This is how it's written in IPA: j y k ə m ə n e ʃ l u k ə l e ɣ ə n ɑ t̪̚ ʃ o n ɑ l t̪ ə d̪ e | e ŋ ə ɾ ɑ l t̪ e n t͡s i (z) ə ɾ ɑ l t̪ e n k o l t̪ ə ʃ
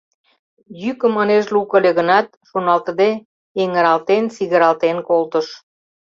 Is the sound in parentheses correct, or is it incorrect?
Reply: incorrect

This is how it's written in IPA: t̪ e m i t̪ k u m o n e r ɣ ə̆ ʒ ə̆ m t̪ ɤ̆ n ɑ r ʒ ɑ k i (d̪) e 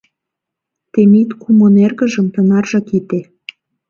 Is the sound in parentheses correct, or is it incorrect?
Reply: incorrect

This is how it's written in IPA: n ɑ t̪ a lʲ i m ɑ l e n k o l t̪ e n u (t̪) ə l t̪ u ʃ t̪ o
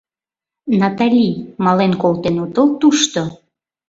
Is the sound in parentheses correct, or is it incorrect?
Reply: correct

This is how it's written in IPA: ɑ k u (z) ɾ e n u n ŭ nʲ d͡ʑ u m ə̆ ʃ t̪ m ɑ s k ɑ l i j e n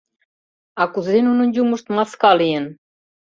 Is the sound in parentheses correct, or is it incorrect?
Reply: correct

